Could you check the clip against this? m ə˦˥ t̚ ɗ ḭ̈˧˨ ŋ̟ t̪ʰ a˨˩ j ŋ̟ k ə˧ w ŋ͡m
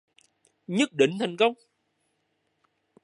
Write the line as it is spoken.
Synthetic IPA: ɲ ə˦˥ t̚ ɗ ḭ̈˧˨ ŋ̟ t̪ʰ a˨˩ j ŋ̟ k ə˧ w ŋ͡m